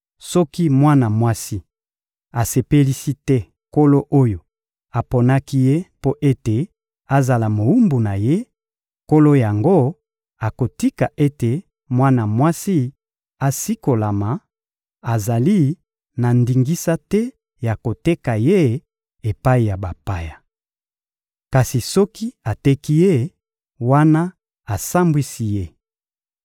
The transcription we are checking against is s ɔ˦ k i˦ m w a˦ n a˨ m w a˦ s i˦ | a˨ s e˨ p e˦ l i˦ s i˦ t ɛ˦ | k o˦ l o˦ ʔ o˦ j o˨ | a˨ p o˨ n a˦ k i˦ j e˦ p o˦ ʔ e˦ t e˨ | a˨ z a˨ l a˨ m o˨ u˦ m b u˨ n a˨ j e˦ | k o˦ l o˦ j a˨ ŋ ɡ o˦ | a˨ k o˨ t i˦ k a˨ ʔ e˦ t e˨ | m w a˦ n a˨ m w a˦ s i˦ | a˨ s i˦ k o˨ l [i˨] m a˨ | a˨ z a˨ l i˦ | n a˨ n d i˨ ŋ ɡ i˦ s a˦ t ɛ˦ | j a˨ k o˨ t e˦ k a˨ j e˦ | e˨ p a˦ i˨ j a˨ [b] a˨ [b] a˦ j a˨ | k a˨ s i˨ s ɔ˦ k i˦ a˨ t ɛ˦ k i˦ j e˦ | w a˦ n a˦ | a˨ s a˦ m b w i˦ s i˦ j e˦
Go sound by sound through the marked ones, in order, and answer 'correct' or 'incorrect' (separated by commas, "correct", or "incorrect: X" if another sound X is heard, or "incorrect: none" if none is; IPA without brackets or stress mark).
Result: incorrect: a˨, correct, incorrect: p